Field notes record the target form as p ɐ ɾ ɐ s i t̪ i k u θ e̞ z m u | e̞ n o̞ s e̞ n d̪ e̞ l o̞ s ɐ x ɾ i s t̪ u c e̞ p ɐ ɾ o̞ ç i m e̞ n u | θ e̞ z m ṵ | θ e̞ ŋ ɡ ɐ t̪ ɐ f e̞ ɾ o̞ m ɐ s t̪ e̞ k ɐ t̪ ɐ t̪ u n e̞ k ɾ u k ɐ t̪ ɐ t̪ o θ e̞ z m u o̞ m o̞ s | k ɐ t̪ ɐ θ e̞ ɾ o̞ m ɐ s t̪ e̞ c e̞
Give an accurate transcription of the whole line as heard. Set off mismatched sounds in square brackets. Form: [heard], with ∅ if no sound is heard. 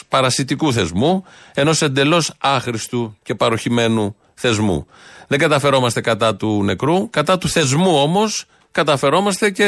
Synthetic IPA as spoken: p ɐ ɾ ɐ s i t̪ i k u θ e̞ z m u | e̞ n o̞ s e̞ n d̪ e̞ l o̞ s ɐ x ɾ i s t̪ u c e̞ p ɐ ɾ o̞ ç i m e̞ n u | θ e̞ z m ṵ | [ð] e̞ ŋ ɡ ɐ t̪ ɐ f e̞ ɾ o̞ m ɐ s t̪ e̞ k ɐ t̪ ɐ t̪ u n e̞ k ɾ u k ɐ t̪ ɐ t̪ [u] θ e̞ z m u o̞ m o̞ s | k ɐ t̪ ɐ [f] e̞ ɾ o̞ m ɐ s t̪ e̞ c e̞